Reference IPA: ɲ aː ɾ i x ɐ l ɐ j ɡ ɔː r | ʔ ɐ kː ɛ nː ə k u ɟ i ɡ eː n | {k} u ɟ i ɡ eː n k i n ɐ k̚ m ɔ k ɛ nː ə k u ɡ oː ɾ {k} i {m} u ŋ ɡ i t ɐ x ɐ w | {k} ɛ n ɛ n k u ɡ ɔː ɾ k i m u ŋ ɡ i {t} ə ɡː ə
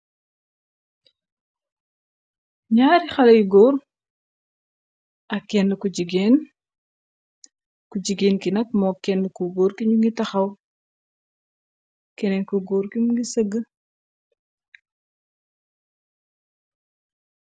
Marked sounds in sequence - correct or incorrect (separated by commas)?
correct, correct, incorrect, correct, incorrect